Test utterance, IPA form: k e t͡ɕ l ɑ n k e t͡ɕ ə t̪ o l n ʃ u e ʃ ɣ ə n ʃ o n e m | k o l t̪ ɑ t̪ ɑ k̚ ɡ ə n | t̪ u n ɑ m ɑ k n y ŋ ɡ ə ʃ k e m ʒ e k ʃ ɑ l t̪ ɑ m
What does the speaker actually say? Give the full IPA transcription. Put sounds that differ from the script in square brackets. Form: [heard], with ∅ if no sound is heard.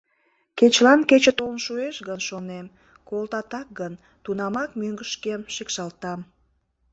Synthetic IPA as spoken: k e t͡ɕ l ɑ n k e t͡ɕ ə t̪ o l n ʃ u e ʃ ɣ ə n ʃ o n e m | k o l t̪ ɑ t̪ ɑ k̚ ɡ ə n | t̪ u n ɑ m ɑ k [m] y ŋ ɡ ə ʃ k e m [ʃ] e k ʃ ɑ l t̪ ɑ m